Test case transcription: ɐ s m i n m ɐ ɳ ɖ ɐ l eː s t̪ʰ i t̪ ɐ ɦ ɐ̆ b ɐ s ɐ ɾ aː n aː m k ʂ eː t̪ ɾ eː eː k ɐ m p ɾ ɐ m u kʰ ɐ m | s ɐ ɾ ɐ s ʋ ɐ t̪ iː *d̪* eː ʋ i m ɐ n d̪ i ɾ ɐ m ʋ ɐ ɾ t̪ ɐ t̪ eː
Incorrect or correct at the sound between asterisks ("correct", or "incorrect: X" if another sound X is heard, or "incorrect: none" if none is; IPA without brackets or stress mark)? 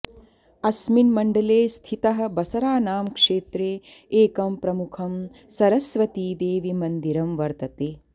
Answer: correct